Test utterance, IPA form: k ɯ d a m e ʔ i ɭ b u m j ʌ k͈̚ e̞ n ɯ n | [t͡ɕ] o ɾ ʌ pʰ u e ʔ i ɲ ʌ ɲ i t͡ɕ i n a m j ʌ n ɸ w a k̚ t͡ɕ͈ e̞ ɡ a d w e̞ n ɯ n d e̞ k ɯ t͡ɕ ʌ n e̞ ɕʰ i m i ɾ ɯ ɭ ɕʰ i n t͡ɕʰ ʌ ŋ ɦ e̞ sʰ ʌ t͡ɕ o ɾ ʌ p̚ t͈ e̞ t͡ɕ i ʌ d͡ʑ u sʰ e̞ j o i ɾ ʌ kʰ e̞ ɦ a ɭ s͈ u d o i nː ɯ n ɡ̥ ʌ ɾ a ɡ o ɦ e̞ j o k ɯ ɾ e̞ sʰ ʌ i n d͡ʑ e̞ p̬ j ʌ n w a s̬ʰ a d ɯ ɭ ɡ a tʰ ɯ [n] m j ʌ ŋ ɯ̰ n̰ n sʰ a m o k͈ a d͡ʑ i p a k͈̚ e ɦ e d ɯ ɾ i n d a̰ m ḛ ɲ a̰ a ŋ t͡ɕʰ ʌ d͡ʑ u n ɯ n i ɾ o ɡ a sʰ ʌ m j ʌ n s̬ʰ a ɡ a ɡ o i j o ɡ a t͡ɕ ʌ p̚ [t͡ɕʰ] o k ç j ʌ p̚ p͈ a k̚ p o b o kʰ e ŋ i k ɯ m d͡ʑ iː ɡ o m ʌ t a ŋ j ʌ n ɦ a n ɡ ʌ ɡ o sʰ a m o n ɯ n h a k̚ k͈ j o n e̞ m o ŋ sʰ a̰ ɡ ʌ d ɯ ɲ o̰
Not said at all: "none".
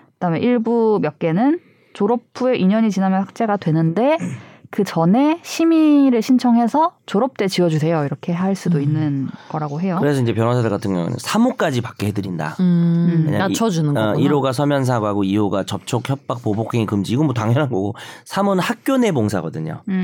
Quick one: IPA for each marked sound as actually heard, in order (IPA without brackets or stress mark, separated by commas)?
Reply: t͡ɕ, ŋ, t͡ɕʰ